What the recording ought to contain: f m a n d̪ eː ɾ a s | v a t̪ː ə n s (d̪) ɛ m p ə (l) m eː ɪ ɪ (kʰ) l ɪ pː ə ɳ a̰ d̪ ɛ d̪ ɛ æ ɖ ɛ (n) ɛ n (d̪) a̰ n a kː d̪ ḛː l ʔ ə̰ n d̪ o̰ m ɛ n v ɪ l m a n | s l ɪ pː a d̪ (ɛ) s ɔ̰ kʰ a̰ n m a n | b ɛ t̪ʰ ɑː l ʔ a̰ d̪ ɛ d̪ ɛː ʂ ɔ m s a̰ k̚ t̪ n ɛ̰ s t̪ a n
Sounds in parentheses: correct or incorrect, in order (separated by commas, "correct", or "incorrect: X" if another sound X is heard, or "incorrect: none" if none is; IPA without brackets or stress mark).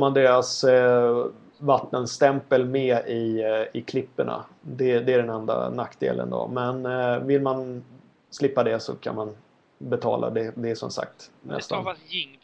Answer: incorrect: t̪, correct, correct, correct, correct, correct